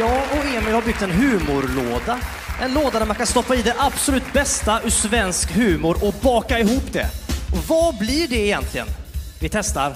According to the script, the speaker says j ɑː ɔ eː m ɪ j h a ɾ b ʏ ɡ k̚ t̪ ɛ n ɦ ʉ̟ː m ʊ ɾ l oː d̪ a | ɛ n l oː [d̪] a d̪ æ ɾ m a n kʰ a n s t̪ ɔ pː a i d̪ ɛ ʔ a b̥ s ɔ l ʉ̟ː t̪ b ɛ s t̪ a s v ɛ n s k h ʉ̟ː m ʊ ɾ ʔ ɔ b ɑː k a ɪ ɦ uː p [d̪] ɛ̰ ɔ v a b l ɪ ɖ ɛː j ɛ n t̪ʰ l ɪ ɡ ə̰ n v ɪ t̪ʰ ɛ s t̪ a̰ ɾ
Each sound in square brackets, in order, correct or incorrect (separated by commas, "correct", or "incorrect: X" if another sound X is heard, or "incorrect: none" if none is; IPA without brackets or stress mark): correct, correct